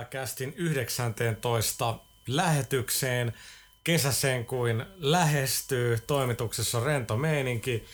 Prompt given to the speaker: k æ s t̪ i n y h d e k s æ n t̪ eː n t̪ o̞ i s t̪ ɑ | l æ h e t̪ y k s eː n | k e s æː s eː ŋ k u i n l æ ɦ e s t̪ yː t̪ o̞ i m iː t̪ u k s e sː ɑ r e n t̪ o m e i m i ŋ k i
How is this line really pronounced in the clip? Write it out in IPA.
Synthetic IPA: k æ s t̪ i n y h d e k s æ n t̪ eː n t̪ o̞ i s t̪ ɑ | l æ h e t̪ y k s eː n | k e s æ s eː ŋ k u i n l æ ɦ e s t̪ yː t̪ o̞ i m i t̪ u k s e sː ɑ r e n t̪ o m e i n i ŋ k i